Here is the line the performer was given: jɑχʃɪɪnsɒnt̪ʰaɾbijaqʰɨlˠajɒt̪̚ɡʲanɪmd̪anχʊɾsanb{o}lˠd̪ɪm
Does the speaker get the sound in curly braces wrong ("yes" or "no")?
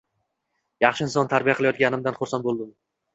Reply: no